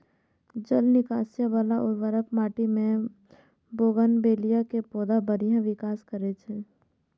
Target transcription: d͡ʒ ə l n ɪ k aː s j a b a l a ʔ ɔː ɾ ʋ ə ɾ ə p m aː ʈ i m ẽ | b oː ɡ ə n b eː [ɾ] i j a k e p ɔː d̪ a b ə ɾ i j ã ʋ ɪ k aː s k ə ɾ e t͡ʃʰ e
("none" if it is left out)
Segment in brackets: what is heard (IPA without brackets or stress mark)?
l